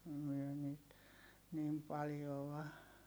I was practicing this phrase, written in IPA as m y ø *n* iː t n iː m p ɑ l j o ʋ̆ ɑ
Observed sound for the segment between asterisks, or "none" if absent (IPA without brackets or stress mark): n